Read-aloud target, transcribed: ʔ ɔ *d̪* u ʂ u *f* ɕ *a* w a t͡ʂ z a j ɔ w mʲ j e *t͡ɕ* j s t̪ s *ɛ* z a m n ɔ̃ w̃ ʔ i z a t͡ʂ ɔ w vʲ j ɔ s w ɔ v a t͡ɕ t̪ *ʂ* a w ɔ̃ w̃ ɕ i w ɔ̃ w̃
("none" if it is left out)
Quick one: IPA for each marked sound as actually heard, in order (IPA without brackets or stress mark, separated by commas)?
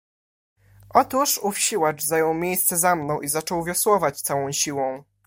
t̪, f, i, none, ɛ, s